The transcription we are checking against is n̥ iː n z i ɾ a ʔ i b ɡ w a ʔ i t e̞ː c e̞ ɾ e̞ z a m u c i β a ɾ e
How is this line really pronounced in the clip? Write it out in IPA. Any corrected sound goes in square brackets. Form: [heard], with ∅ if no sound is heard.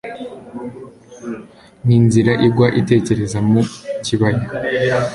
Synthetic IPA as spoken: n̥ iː n z i ɾ a ʔ i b ɡ w a ʔ i t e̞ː c e̞ ɾ e̞ z a m u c i β a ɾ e

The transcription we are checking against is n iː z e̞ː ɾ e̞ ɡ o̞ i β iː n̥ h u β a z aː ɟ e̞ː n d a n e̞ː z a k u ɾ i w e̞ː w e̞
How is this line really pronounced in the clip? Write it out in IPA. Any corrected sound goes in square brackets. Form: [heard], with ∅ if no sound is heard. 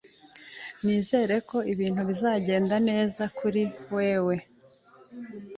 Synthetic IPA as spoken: n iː z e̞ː ɾ e̞ [k] o̞ i β iː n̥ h u β [i] z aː ɟ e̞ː n d a n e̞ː z a k u ɾ i w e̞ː w e̞

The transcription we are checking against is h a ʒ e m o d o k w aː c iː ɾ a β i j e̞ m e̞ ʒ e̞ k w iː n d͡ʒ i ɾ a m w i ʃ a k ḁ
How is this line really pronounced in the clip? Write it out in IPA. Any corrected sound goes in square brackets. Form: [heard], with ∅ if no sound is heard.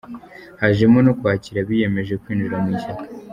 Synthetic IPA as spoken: h a ʒ e m o [n] o k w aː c [i] ɾ a β i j e̞ m e̞ ʒ e̞ k w iː n d͡ʒ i ɾ a m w i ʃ a k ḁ

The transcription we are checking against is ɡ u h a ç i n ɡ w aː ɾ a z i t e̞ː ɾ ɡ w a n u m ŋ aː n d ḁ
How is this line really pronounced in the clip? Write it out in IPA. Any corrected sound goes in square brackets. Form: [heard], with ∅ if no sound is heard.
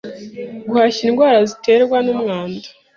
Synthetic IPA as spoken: ɡ u h a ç i n ɡ w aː ɾ a z i t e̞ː ɾ ɡ w a n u m ŋ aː n d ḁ

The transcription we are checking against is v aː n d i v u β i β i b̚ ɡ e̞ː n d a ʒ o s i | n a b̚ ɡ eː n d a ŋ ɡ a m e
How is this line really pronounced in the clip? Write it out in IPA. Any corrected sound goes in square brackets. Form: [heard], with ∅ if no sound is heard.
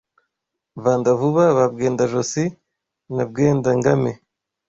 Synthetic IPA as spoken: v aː n d [a] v u β [a] β [a] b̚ ɡ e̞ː n d a ʒ o s i | n a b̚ ɡ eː n d a ŋ ɡ a m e

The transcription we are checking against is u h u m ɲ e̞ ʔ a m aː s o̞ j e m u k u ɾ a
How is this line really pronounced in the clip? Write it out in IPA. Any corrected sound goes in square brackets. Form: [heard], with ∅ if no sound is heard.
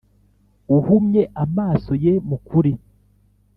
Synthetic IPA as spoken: u h u m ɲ e̞ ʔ a m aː s o̞ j e m u k u ɾ [i]

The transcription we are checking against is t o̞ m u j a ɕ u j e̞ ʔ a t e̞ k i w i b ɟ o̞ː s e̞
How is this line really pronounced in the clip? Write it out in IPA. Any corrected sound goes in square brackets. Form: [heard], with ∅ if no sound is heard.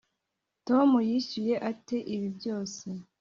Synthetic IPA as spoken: t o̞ m u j [i] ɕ u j e̞ ʔ a t e̞ [ʔ] i [β] i b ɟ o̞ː s e̞

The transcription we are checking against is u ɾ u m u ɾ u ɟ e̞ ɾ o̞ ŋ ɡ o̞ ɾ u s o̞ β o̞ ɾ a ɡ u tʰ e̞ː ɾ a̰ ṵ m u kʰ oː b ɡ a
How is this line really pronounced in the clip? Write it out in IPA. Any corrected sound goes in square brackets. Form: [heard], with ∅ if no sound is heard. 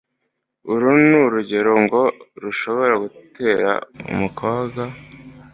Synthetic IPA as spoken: u ɾ u [n] u ɾ u ɟ e̞ ɾ o̞ ŋ ɡ o̞ ɾ u [ʃ] o̞ β o̞ ɾ a ɡ u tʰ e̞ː ɾ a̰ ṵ m u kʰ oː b ɡ a

